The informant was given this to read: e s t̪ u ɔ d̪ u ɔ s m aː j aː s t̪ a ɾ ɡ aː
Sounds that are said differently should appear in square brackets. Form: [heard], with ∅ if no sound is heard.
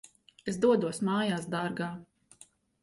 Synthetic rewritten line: e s [d̪] u ɔ d̪ u ɔ s m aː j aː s [d̪] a ɾ ɡ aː